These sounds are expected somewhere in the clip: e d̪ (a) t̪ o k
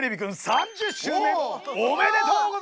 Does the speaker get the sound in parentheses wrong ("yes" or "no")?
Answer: yes